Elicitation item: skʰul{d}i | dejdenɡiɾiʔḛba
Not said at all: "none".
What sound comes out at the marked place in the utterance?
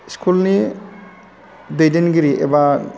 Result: n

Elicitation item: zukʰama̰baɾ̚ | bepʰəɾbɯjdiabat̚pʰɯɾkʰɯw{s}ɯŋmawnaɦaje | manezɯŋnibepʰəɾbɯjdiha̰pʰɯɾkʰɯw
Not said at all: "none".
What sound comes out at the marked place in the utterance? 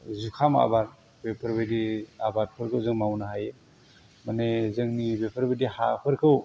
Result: z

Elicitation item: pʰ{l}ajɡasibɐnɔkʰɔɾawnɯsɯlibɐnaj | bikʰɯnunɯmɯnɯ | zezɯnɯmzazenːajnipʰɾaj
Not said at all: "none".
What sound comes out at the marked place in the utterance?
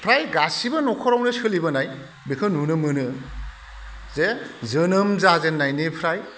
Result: ɾ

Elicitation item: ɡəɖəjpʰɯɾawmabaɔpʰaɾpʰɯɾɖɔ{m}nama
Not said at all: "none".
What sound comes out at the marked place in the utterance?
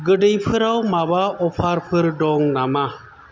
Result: ŋ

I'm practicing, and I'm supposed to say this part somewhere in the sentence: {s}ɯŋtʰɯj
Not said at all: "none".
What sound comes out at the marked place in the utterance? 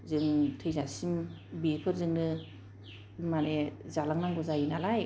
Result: z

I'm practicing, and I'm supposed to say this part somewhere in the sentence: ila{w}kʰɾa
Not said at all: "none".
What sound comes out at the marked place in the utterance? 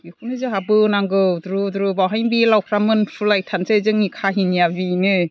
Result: w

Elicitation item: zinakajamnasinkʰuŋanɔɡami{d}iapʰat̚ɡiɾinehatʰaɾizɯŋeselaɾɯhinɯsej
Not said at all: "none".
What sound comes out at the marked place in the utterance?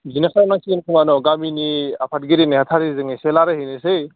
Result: n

